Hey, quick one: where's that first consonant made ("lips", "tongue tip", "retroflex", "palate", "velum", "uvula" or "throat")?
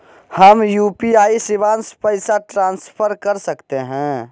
throat